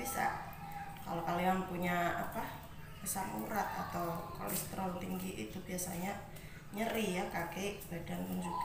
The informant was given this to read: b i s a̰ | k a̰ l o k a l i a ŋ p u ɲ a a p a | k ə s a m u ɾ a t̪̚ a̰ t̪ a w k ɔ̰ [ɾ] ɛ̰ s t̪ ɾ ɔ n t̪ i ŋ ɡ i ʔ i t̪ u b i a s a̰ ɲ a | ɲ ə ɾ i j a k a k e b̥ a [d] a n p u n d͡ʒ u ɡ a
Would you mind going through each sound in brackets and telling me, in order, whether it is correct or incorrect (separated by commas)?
incorrect, correct